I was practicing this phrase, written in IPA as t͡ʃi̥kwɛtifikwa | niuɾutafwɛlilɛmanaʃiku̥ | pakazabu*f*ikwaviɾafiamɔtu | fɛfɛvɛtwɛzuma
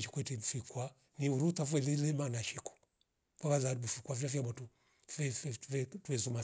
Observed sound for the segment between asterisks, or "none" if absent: f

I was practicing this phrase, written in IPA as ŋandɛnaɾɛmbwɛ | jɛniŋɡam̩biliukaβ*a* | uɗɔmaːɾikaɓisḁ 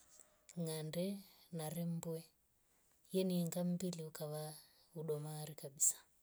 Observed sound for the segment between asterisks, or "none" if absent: a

